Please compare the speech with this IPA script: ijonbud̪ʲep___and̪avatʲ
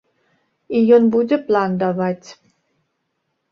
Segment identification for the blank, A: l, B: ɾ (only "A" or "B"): A